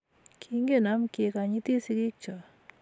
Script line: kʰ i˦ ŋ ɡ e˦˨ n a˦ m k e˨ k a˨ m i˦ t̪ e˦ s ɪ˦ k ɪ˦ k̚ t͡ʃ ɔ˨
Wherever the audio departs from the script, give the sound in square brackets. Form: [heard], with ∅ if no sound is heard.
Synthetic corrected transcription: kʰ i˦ ŋ ɡ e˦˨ n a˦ m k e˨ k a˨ [ɲ] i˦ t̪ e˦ s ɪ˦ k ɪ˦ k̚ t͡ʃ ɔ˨